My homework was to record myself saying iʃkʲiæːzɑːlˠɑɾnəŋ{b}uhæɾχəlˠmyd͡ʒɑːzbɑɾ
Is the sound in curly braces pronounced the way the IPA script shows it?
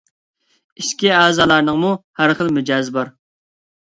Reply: no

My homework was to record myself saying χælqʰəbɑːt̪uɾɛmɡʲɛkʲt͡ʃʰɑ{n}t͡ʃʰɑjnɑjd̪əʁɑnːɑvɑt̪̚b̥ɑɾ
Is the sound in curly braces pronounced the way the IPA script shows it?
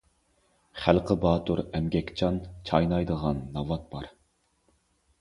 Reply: yes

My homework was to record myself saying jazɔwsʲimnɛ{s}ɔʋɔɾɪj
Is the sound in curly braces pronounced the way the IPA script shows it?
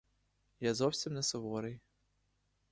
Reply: yes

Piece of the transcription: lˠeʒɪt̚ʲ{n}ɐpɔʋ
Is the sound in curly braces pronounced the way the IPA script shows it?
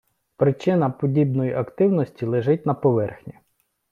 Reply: yes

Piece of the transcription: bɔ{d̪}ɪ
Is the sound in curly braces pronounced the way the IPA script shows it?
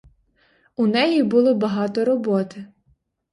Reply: no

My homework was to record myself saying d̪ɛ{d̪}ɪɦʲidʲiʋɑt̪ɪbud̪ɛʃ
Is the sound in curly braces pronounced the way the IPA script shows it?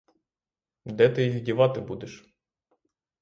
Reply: no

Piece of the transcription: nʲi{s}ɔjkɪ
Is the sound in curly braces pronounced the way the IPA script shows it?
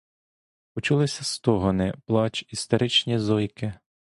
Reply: no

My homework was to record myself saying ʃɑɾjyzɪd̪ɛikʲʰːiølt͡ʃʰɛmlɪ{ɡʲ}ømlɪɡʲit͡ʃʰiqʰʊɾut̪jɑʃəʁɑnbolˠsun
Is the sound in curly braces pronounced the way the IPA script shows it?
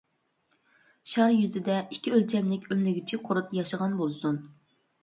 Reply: no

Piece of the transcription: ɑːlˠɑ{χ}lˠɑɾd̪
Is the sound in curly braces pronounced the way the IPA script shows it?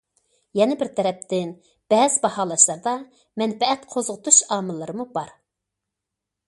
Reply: no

